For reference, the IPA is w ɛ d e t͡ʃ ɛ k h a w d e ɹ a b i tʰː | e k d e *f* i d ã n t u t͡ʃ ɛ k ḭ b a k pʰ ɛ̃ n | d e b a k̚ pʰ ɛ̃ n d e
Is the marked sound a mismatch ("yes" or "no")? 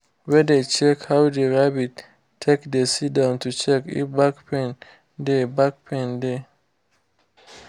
yes